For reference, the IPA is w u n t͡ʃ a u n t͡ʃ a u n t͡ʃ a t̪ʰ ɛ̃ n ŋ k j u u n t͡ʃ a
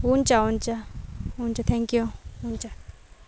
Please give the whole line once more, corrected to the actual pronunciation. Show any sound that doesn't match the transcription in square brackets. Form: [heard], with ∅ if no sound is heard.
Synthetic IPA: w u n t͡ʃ a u n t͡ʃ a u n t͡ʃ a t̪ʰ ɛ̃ [∅] ŋ k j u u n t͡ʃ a